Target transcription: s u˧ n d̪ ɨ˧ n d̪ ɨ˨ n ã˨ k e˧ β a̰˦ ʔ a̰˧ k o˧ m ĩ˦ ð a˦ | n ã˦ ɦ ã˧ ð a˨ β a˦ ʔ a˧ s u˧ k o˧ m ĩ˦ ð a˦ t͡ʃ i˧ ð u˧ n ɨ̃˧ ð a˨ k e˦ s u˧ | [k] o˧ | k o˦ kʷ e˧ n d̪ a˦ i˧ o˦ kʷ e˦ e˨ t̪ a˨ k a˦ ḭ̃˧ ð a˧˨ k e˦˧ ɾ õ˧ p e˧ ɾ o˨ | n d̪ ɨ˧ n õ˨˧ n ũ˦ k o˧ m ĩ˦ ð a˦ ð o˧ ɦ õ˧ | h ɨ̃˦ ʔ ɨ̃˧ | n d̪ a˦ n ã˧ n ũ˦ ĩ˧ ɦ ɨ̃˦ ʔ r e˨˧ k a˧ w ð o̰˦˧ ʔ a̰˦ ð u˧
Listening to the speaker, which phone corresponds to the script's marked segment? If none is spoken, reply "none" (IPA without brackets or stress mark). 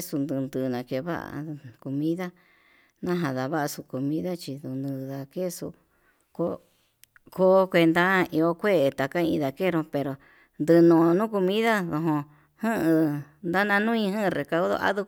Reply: k